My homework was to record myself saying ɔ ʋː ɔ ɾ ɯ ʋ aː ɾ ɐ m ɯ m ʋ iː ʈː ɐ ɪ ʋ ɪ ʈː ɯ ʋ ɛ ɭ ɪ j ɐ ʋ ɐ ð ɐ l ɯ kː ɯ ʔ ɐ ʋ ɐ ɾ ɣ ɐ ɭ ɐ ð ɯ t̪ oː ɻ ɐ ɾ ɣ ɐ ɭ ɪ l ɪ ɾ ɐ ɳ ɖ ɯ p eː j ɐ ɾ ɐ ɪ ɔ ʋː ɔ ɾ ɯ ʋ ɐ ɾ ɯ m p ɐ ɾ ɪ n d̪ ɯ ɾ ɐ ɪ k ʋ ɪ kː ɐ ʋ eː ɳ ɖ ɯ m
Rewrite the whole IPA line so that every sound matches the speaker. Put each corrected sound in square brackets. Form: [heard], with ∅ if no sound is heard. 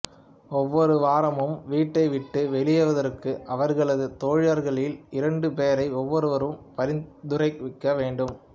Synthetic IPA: ɔ ʋː ɔ ɾ ɯ ʋ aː ɾ ɐ m ɯ m ʋ iː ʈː ɐ ɪ ʋ ɪ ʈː ɯ ʋ ɛ ɭ ɪ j ɐ ʋ ɐ ð ɐ [ɾ] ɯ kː ɯ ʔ ɐ ʋ ɐ ɾ ɣ ɐ ɭ ɐ ð ɯ t̪ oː ɻ ɐ ɾ ɣ ɐ ɭ ɪ l ɪ ɾ ɐ ɳ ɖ ɯ p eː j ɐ ɾ ɐ ɪ ɔ ʋː ɔ ɾ ɯ ʋ ɐ ɾ ɯ m p ɐ ɾ ɪ n d̪ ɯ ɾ ɐ ɪ k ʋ ɪ kː ɐ ʋ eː ɳ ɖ ɯ m